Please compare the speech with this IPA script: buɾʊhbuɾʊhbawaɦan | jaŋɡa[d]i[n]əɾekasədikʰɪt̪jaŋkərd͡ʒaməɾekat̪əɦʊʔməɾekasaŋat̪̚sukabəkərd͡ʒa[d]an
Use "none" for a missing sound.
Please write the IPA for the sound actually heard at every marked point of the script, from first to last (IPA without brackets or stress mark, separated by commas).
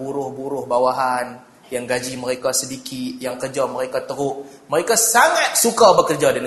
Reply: d͡ʒ, m, d